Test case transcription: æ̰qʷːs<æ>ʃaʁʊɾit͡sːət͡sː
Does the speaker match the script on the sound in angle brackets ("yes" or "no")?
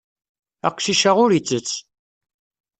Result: no